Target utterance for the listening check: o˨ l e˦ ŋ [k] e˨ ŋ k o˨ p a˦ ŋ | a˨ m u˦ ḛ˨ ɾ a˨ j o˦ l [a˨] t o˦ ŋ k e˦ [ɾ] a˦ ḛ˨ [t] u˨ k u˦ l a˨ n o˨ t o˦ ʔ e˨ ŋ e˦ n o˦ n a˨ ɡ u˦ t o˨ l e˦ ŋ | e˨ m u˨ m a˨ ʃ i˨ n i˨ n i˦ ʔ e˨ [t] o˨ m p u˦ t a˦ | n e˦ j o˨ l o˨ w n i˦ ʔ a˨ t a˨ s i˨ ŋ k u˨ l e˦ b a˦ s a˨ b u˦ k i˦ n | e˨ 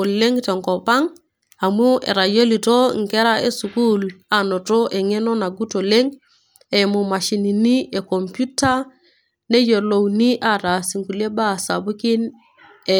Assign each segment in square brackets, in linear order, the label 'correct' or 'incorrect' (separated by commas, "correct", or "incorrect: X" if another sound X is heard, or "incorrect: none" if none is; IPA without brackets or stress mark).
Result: incorrect: t, incorrect: i˨, correct, incorrect: s, incorrect: k